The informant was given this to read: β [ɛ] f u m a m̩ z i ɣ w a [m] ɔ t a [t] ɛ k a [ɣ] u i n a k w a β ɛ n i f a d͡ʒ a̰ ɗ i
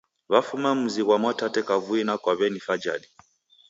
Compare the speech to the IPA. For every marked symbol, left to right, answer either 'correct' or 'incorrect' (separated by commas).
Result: incorrect, correct, correct, incorrect